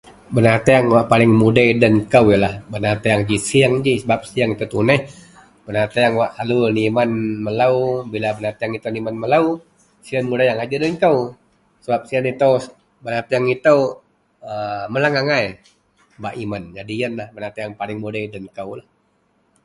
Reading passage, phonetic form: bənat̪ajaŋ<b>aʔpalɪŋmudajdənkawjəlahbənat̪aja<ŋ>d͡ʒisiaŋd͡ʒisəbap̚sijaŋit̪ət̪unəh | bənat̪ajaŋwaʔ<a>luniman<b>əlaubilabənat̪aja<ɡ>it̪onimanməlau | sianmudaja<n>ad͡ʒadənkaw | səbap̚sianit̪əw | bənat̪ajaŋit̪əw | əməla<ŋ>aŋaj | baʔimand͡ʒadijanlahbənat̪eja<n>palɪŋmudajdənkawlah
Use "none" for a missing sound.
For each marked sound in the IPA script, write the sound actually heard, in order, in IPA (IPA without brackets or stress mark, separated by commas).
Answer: w, ŋ, a, m, ŋ, ŋ, ŋ, ŋ